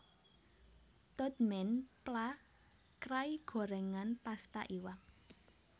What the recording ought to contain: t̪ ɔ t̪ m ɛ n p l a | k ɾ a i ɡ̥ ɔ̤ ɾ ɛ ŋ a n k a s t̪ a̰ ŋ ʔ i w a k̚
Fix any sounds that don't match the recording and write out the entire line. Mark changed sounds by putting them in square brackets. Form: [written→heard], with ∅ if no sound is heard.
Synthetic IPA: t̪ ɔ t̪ m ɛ n p l a | k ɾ a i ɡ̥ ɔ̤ ɾ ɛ ŋ a n [k→p] a s t̪ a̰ [ŋ→∅] ʔ i w a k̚